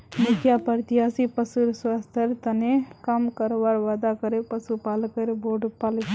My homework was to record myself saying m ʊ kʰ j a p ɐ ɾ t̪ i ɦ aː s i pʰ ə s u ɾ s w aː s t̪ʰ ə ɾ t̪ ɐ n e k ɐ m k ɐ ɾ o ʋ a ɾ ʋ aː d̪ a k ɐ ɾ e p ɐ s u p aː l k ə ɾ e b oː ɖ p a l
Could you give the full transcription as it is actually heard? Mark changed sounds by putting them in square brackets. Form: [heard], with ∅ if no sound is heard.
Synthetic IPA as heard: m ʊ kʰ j a p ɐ ɾ t̪ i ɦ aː s i [p] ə s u ɾ s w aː s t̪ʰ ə ɾ t̪ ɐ n e k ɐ m k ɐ ɾ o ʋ a ɾ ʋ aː d̪ a k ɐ ɾ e p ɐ s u p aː l k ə ɾ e b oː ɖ p a l